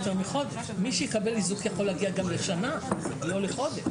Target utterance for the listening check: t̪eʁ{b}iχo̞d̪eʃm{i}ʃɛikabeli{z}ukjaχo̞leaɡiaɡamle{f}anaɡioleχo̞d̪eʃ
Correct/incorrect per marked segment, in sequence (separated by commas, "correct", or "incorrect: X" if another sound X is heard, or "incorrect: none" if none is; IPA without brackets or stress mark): incorrect: m, correct, correct, incorrect: ʃ